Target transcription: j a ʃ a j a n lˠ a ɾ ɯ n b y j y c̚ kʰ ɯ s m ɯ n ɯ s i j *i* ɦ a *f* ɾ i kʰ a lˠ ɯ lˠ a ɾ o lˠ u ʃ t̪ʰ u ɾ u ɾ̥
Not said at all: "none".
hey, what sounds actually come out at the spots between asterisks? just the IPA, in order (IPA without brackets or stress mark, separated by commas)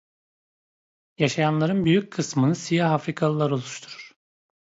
a, f